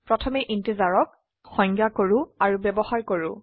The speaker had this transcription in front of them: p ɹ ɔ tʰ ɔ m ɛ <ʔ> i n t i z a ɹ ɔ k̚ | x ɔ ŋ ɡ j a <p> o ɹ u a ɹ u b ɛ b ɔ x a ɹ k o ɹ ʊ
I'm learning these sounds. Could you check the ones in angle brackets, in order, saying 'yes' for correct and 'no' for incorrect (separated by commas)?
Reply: yes, no